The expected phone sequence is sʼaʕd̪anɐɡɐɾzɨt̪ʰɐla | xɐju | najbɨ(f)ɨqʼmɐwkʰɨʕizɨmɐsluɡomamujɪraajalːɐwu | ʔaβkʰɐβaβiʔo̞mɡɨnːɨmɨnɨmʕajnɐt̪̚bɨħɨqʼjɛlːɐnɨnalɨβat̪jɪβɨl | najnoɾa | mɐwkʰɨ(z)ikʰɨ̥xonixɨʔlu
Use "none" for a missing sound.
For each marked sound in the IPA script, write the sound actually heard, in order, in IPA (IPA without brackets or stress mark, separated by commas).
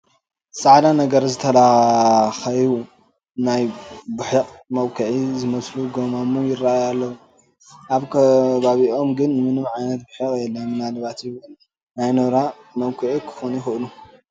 ħ, ʕ